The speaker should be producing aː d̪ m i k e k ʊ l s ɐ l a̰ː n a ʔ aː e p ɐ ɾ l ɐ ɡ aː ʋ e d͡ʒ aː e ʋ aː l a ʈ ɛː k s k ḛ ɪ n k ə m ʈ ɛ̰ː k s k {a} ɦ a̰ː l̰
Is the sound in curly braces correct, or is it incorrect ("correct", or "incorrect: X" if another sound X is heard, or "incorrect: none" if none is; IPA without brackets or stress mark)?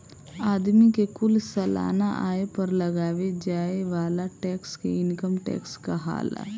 correct